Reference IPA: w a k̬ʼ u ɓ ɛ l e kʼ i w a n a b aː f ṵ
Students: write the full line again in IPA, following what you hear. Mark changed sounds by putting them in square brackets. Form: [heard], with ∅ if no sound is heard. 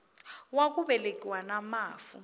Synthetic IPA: w a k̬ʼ u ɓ ɛ l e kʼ i w a n a [m] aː f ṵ

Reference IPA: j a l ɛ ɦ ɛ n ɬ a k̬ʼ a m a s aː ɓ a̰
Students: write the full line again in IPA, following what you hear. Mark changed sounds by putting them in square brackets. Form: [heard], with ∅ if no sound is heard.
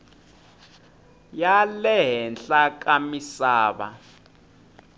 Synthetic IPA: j a l ɛ ɦ ɛ n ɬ a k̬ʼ a m [i] s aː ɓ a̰

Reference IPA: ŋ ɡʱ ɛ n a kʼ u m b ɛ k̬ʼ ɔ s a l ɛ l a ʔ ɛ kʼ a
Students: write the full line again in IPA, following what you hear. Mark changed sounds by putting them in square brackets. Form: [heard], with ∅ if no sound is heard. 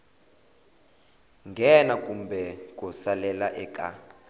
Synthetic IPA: ŋ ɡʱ ɛ n a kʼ u m b ɛ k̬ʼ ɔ s a l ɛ l a ʔ ɛ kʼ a

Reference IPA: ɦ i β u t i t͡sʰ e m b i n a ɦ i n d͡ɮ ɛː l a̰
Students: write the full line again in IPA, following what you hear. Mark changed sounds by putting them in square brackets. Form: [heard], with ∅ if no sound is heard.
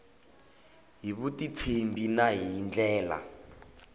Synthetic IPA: ɦ i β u t i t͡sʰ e m b i n a ɦ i n d͡ɮ ɛː l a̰

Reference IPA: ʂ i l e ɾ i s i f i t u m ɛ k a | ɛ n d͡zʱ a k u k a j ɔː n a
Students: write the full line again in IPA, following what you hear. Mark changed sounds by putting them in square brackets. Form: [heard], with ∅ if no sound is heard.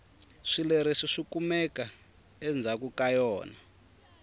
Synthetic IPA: ʂ i l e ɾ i [ʂ] i [ʂ] i [k] u m ɛ k a | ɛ n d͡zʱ a k u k a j ɔː n a

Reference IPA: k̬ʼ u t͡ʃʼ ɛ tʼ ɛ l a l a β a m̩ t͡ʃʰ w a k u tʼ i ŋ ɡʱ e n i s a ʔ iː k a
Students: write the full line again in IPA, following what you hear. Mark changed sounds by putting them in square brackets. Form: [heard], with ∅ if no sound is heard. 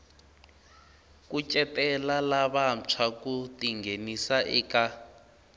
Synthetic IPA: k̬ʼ u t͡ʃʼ ɛ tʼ ɛ l a l a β a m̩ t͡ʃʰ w a k u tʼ i ŋ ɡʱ e n i s a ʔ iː k a

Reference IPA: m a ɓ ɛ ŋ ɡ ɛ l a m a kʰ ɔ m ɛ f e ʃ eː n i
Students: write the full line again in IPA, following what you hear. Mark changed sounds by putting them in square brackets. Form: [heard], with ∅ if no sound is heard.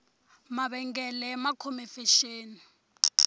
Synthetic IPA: m a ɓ ɛ ŋ ɡ ɛ l [ɛ] m a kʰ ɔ m ɛ f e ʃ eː n i

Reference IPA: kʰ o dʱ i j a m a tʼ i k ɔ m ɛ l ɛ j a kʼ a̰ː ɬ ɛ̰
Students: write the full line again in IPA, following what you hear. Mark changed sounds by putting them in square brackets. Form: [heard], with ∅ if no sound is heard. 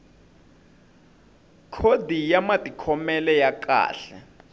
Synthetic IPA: kʰ o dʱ i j a m a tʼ i [kʰ] ɔ m ɛ l ɛ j a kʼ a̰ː ɬ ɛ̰

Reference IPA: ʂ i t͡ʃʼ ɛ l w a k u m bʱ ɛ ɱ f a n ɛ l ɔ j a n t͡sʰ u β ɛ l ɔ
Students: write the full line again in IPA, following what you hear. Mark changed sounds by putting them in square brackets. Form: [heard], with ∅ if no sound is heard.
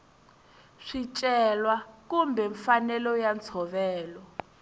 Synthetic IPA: ʂ i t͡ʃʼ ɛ l w a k u m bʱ ɛ ɱ f a n ɛ l ɔ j a n t͡sʰ [ɔ] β [ɛː] l ɔ

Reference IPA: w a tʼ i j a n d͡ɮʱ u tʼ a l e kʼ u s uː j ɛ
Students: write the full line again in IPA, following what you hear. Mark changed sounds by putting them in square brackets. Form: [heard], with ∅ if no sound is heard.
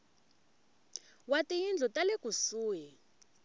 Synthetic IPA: w a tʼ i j [i] n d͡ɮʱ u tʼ a l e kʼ u s uː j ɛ

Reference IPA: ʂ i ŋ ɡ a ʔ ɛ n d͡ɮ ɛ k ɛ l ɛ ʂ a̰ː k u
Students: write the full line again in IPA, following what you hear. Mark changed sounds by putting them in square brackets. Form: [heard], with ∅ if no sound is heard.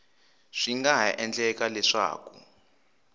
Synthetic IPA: ʂ i ŋ ɡ a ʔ ɛ n d͡ɮ ɛ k [a] l ɛ ʂ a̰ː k u

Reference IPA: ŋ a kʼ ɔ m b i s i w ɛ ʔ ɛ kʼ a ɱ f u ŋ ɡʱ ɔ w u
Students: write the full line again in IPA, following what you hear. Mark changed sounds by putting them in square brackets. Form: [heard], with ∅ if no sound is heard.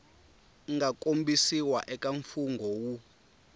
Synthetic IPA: ŋ a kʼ [o] m b i s i w [a] ʔ ɛ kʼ a ɱ f u ŋ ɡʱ ɔ w u

